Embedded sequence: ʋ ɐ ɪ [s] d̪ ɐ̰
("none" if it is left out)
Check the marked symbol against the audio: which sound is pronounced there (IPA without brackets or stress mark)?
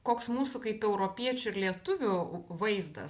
z